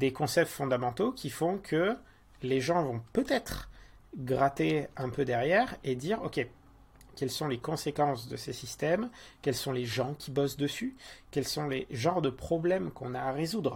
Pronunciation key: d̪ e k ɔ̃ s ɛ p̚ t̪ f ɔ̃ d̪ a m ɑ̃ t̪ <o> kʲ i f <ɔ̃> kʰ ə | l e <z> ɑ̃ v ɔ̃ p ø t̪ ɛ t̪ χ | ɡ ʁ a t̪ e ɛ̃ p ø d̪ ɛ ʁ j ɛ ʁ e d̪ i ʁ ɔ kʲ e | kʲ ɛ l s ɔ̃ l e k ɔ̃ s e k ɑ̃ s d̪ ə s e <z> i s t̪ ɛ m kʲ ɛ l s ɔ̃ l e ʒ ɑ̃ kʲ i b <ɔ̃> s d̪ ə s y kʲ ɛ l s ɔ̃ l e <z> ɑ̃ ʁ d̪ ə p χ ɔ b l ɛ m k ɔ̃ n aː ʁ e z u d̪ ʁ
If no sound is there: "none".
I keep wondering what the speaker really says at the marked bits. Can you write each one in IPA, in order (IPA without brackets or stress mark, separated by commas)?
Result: o, ɔ̃, ʒ, s, ɔ, ʒ